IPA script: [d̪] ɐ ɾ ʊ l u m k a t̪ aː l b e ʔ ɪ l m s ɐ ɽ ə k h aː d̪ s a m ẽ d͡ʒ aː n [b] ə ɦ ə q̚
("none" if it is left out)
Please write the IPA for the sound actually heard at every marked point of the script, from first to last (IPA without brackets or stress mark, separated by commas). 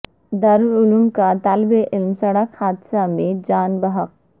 d̪, b